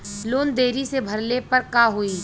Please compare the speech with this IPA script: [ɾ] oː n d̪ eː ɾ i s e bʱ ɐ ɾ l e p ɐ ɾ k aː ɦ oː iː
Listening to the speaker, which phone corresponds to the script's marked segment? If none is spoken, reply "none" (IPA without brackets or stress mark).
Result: l